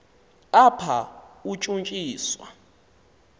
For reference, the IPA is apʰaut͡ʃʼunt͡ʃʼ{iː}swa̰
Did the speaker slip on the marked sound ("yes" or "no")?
no